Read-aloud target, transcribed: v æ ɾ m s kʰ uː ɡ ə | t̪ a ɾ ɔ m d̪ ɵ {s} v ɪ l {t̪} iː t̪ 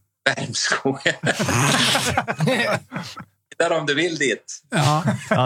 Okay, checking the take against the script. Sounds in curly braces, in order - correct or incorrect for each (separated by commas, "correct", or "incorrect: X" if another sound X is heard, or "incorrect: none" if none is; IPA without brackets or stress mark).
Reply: incorrect: none, incorrect: d̪